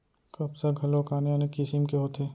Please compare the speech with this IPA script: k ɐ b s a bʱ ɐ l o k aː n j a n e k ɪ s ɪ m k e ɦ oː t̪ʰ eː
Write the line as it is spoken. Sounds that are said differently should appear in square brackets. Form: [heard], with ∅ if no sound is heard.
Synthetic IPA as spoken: k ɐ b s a [ɡʱ] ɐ l o k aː n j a n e k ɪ s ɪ m k e ɦ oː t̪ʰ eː